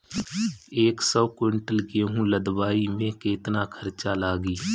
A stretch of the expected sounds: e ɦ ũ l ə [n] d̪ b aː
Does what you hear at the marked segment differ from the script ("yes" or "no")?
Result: yes